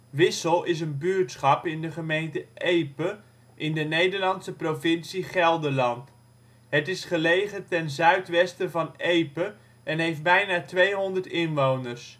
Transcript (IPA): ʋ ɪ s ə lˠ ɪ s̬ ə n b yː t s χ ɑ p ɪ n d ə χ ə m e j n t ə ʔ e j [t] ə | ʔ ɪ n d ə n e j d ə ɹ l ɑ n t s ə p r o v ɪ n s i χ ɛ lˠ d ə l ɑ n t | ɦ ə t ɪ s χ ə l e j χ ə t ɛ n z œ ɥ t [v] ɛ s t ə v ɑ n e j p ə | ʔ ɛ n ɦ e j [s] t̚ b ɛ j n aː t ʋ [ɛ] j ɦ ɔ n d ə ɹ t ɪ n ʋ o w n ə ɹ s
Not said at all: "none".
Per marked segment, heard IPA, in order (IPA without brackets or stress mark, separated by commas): p, ʋ, f, e